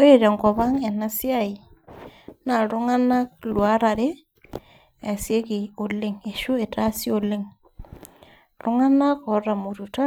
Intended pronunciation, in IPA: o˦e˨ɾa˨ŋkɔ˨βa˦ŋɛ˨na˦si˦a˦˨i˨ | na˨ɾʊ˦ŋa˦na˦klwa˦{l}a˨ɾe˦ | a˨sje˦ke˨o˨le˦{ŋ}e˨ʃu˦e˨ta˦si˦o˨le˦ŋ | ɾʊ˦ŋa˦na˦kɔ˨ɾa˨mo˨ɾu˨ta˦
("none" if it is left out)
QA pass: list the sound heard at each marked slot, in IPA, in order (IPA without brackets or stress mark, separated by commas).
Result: ɾ, ŋ